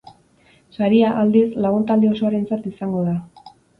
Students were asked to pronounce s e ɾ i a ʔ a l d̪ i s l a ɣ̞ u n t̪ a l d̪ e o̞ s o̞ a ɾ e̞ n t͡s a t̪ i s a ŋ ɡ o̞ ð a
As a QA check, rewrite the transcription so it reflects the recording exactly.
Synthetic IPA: s a ɾ i a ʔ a l d̪ i s l a ɣ̞ u n t̪ a l d̪ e o̞ s o̞ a ɾ e̞ n t͡s a t̪ i s a ŋ ɡ o̞ ð a